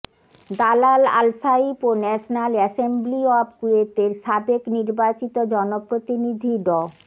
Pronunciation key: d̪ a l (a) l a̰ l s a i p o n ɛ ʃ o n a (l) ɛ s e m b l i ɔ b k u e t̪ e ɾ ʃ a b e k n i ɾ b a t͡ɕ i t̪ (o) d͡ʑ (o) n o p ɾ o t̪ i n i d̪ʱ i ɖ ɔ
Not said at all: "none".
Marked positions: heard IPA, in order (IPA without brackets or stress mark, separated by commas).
a, l, o, ɔ